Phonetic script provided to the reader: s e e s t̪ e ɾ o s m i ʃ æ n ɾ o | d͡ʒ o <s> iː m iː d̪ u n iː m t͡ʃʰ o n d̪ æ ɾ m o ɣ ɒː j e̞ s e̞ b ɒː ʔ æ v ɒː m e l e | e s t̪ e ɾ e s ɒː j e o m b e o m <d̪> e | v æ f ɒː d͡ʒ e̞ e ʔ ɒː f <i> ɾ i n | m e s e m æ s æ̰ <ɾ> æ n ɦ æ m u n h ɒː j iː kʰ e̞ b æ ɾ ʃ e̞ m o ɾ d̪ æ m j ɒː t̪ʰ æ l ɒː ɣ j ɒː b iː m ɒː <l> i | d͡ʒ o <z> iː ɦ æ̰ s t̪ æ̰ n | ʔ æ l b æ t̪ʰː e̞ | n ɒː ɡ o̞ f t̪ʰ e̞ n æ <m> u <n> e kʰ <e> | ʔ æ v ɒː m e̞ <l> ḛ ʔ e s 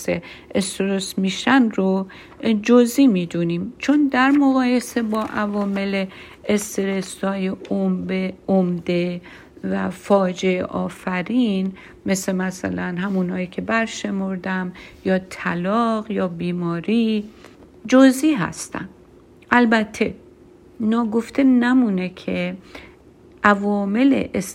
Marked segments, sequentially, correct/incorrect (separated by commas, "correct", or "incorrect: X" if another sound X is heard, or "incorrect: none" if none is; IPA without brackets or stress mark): incorrect: z, correct, incorrect: æ, incorrect: l, incorrect: ɾ, correct, correct, correct, correct, correct